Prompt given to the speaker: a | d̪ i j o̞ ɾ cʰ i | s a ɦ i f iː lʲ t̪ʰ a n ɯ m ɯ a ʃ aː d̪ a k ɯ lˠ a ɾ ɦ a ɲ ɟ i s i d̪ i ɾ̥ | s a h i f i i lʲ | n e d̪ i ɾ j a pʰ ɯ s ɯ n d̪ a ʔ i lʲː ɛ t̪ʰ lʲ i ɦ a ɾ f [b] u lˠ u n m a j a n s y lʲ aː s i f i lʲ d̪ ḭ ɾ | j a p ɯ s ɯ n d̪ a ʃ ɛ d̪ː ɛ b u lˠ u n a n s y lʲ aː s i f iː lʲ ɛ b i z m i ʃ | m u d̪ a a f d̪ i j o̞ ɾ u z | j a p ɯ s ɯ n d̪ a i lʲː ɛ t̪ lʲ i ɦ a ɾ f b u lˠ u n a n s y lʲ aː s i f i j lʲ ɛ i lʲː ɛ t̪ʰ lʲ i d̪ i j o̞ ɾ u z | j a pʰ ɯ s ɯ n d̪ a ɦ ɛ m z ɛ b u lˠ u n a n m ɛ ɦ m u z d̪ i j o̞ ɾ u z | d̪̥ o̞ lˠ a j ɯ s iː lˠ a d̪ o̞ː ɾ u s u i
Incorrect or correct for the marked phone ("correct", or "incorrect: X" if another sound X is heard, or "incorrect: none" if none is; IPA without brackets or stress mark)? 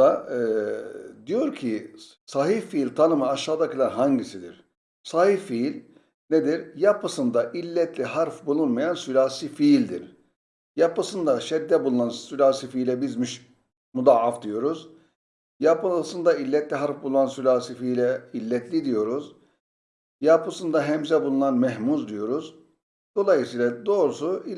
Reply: correct